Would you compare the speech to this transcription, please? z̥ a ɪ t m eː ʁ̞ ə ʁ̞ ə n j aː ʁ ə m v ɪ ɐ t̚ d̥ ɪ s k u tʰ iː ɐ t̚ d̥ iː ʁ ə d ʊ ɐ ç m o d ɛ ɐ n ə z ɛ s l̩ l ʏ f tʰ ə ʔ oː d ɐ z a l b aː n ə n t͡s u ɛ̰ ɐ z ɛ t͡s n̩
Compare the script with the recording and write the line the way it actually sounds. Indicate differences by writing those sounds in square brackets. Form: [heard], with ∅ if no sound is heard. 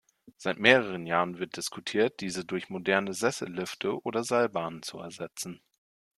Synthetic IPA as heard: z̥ a ɪ t m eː ʁ̞ ə ʁ̞ ə n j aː ʁ ə [n] v ɪ ɐ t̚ d̥ ɪ s k u tʰ iː ɐ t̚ d̥ iː [z] ə d ʊ ɐ ç m o d ɛ ɐ n ə z ɛ s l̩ l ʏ f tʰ ə ʔ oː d ɐ z a l b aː n ə n t͡s u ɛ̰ ɐ z ɛ t͡s n̩